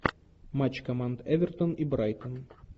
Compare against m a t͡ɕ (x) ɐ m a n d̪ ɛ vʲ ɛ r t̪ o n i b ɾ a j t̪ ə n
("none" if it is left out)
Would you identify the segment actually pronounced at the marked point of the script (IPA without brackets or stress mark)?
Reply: k